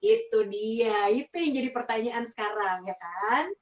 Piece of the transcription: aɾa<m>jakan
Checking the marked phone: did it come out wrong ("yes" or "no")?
yes